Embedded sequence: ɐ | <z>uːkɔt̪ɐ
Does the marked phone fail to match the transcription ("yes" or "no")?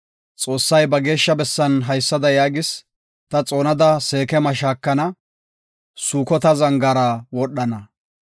yes